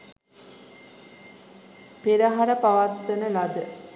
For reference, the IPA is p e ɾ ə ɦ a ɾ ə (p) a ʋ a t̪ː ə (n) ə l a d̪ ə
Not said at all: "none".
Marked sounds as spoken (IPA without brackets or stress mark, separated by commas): p, n